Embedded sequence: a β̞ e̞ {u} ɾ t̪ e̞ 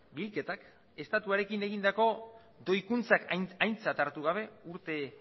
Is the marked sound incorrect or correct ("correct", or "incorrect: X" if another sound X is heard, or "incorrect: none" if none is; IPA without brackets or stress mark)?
correct